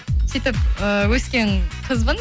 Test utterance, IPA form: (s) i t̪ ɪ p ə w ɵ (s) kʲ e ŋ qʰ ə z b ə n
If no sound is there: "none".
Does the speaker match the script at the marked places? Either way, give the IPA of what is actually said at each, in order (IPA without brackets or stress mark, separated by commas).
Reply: s, s